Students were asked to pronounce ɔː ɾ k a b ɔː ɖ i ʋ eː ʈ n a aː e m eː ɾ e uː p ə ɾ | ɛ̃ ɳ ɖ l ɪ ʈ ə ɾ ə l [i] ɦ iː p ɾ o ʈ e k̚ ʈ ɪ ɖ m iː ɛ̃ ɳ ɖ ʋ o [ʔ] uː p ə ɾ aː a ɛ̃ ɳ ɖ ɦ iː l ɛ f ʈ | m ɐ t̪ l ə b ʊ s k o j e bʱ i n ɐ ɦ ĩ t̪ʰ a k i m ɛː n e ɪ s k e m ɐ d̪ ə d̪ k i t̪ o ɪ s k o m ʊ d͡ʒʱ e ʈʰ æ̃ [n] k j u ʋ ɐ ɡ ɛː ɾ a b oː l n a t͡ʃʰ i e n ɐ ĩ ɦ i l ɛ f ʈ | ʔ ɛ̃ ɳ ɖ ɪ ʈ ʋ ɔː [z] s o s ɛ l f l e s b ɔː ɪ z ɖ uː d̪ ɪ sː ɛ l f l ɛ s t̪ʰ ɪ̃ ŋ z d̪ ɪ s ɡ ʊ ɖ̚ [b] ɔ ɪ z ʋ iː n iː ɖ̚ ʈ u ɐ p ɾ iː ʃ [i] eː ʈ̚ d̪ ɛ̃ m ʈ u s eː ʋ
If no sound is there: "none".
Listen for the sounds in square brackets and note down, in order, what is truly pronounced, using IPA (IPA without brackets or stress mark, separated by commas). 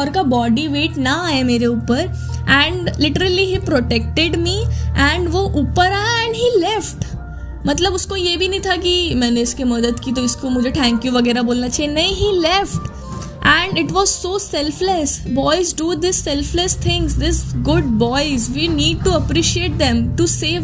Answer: i, ʔ, ŋ, z, b, i